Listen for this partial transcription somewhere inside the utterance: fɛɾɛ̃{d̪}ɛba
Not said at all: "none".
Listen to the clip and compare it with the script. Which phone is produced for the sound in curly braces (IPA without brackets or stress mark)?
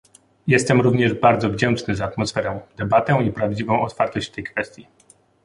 d̪